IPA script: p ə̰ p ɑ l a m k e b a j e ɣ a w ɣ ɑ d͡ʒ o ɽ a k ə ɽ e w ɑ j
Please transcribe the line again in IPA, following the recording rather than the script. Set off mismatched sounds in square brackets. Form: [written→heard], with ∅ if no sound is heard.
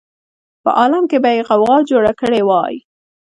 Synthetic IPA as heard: p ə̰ [p→ʔ] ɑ l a m k e b a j e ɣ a w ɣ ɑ d͡ʒ o ɽ a k ə ɽ e w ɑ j